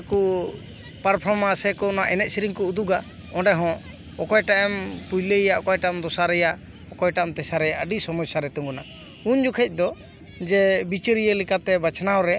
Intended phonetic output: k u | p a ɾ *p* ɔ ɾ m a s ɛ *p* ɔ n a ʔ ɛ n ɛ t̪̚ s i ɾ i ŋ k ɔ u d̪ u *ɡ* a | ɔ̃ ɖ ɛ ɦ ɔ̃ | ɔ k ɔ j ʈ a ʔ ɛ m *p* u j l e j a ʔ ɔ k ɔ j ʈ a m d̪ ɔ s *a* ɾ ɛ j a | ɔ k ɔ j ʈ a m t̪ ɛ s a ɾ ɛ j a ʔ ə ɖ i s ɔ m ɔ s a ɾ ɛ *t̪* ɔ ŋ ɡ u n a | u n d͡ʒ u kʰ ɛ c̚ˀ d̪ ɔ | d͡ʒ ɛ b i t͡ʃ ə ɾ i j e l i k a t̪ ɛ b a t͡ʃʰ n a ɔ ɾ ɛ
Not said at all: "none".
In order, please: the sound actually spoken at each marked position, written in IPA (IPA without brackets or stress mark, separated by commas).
pʰ, k, ɡ, p, a, t̪